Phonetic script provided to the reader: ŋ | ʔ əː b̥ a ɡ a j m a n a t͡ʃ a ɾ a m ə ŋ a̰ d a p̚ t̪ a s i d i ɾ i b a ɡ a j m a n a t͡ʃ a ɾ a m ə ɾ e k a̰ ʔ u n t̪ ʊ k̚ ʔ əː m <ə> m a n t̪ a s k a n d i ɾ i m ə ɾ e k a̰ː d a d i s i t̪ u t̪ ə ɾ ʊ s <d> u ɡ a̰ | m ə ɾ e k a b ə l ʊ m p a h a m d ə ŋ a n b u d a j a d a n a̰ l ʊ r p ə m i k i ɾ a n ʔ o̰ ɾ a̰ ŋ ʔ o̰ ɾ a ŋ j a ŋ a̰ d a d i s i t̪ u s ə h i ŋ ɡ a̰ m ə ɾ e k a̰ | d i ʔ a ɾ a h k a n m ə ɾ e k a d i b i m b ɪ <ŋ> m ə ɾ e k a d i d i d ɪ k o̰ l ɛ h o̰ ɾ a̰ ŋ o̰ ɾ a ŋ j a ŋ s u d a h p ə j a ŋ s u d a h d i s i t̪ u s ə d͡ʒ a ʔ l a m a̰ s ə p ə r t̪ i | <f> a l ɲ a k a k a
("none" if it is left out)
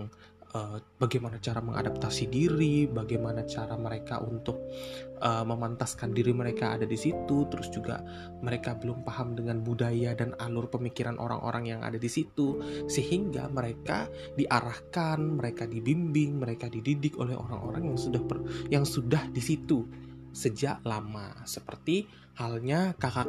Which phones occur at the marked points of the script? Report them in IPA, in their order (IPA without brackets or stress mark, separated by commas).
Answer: ə, d͡ʒ, ŋ, h